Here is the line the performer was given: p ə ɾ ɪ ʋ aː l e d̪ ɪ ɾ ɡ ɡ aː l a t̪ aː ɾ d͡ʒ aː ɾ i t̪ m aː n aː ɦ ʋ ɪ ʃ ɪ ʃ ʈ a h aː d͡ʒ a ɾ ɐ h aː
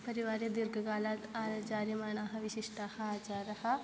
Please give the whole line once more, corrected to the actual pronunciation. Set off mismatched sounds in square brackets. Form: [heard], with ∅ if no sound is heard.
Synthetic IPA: p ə ɾ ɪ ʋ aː [ɾ] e d̪ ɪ ɾ ɡ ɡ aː l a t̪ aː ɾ d͡ʒ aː ɾ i [∅] m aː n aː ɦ ʋ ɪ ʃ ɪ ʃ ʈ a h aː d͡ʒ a ɾ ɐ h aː